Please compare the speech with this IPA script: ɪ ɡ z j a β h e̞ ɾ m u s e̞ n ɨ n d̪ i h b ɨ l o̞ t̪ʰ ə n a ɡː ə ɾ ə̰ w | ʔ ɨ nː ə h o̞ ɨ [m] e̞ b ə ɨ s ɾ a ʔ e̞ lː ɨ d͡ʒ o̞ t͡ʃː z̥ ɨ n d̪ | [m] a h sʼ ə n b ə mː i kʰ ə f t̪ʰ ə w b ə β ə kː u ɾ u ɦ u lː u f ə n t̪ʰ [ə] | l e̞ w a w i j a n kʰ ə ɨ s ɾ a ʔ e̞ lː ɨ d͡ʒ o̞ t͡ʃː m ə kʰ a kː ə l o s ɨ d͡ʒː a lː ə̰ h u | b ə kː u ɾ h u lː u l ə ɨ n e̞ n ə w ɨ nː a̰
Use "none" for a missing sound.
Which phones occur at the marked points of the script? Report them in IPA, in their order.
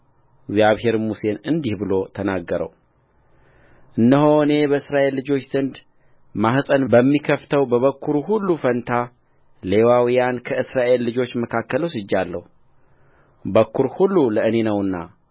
n, m, a

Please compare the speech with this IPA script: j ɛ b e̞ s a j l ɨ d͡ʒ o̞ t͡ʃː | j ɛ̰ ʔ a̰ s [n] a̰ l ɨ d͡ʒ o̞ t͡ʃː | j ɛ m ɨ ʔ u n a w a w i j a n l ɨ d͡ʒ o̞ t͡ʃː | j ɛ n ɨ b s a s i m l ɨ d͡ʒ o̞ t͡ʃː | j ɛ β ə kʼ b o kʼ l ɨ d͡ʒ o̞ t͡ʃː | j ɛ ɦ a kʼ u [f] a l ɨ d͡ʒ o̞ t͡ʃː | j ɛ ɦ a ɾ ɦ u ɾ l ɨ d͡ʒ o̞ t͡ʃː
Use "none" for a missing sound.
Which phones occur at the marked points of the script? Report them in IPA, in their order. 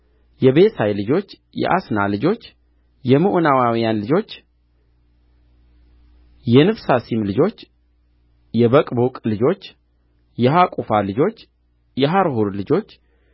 n, f

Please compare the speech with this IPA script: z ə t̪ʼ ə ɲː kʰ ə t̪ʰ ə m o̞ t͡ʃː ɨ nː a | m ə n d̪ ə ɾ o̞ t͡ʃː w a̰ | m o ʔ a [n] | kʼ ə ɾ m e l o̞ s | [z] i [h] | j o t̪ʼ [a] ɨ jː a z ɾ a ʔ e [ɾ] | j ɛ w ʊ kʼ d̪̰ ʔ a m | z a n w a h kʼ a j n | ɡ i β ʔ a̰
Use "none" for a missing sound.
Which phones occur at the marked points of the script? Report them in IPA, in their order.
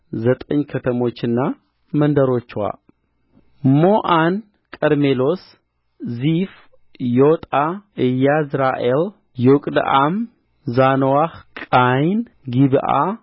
n, z, f, a, l

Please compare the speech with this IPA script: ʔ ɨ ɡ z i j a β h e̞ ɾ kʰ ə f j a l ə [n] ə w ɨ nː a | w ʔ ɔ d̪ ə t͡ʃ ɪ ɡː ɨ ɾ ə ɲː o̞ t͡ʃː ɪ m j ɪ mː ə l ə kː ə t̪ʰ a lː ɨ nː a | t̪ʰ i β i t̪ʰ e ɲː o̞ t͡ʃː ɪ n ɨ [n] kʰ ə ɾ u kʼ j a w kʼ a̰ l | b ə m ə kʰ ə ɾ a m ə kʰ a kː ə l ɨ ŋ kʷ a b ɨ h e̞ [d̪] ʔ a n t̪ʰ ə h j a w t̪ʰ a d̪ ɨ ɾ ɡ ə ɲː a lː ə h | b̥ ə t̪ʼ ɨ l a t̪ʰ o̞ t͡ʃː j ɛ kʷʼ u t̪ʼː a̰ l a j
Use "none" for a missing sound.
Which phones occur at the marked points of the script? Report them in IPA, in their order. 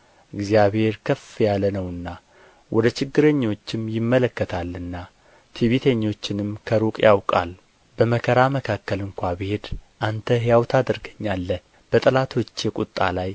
n, m, d̪

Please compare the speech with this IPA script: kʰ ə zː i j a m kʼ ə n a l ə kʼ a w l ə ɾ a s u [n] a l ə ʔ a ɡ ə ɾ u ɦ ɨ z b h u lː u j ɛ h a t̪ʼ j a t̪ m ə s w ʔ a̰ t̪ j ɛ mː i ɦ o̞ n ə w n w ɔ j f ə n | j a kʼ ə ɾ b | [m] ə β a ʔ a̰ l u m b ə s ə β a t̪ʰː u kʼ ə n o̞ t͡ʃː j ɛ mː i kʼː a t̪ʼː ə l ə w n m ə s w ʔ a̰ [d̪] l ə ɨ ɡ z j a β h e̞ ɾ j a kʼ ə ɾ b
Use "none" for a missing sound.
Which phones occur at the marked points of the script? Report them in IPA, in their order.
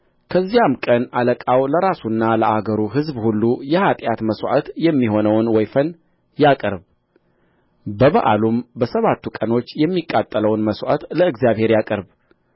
nː, b, t̪

